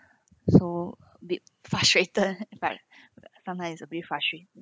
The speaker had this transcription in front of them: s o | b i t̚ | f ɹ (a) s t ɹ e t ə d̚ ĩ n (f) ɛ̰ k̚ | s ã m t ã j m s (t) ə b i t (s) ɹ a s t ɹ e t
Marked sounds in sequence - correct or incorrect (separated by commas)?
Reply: correct, correct, incorrect, incorrect